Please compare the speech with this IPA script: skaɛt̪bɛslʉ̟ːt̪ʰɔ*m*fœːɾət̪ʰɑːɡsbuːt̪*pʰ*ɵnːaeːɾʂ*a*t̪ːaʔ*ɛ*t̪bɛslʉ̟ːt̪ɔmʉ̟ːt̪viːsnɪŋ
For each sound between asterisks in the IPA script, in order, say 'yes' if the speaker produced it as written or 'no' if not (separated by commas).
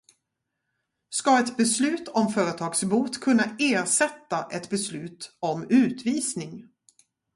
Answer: yes, no, no, yes